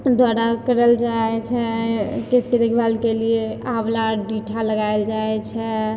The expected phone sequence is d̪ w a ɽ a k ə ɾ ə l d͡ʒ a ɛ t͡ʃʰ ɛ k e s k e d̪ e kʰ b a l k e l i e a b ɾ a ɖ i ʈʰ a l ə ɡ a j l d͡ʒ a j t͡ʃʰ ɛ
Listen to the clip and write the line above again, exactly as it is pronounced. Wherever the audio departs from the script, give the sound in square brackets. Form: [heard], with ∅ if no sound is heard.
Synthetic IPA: d̪ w a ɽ a k ə ɾ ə l d͡ʒ a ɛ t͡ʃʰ ɛ k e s k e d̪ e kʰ b a l k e l i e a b [l] a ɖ i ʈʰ a l ə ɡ a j l d͡ʒ a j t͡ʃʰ ɛ

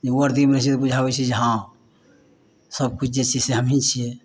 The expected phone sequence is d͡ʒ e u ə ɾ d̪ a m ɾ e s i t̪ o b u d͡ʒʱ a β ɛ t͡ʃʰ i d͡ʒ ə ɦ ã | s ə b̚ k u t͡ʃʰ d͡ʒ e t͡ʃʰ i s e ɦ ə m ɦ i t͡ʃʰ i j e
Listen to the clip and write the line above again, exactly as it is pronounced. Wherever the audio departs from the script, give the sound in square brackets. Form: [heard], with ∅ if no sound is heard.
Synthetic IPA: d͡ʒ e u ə ɾ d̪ [i] m ɾ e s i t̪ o b u d͡ʒʱ a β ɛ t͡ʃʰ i d͡ʒ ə ɦ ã | s ə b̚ k u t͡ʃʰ d͡ʒ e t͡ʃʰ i s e ɦ ə m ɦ i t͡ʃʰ i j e

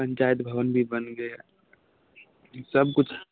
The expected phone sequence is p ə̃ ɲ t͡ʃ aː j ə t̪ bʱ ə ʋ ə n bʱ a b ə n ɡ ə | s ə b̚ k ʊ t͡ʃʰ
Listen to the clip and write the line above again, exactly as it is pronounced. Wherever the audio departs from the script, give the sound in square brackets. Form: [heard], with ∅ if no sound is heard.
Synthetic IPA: p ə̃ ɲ t͡ʃ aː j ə t̪ bʱ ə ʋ ə n bʱ [i] b ə n ɡ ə | s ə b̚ k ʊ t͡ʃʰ

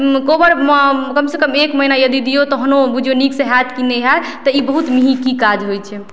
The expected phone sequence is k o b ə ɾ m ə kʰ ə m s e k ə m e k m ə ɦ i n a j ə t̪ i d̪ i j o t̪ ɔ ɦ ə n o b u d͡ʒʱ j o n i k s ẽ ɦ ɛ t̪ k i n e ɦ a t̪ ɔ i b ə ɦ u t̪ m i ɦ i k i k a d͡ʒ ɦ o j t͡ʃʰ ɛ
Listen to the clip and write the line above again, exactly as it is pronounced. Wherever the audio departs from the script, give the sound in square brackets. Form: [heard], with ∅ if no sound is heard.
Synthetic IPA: k o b ə ɾ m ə [k] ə m s e k ə m e k m ə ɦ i n a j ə [d̪] i d̪ i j o t̪ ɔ ɦ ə n o b u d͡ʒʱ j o n i k s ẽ ɦ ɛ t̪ k i n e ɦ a t̪ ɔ i b ə ɦ u t̪ m i ɦ i k i k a d͡ʒ ɦ o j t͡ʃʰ ɛ

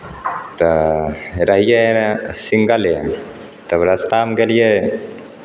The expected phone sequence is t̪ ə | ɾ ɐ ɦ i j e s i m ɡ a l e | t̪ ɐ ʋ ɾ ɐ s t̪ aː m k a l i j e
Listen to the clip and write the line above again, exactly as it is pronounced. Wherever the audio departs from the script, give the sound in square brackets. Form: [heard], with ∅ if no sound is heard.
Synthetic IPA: t̪ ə | ɾ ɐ ɦ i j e s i [ŋ] ɡ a l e | t̪ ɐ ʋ ɾ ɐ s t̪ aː m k [e] l i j e

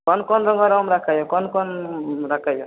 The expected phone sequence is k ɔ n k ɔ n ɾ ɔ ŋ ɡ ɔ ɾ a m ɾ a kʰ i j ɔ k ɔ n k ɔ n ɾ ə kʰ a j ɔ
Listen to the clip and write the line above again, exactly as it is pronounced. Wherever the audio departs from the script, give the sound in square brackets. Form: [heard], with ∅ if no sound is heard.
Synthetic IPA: k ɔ n k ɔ n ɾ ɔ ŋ ɡ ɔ ɾ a m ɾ a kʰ [a] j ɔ k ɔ n k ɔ n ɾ [a] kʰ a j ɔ

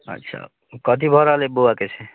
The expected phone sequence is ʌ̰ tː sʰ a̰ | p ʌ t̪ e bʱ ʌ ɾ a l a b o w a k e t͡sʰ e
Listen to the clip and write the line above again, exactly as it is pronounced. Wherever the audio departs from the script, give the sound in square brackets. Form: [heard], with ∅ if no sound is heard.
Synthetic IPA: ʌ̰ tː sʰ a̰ | [k] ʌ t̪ [i] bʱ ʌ ɾ a l [e] b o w a k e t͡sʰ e

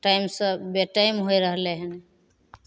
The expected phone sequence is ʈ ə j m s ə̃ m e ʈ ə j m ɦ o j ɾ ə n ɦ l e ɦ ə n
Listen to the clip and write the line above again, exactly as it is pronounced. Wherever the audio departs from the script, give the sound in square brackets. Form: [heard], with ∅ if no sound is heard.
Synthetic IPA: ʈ [a] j m s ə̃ [b] e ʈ [a] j m ɦ o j ɾ ə [∅] ɦ l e ɦ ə n

